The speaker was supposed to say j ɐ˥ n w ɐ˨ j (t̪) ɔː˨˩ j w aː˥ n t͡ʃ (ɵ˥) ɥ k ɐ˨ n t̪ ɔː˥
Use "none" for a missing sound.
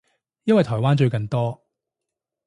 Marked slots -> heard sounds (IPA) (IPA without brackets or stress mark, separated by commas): t̪ʰ, ɵ˧